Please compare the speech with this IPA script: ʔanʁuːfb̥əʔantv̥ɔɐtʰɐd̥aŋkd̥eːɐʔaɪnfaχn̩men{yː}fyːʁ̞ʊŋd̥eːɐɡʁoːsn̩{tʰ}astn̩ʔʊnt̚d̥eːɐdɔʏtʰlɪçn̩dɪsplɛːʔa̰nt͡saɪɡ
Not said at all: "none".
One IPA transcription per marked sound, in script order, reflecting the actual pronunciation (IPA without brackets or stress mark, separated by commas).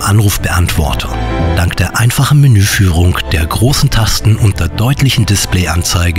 yː, tʰ